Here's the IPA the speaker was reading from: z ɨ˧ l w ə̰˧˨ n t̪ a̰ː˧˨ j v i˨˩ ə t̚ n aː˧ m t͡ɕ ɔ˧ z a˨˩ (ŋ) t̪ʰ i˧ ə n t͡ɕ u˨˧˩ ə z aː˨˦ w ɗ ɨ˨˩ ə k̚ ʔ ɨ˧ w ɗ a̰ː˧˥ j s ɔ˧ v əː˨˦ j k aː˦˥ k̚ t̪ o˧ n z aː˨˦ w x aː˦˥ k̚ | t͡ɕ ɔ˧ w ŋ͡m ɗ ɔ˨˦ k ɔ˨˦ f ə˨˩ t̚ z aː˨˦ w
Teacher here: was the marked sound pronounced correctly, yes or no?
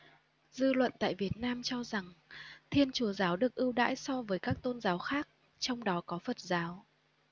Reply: yes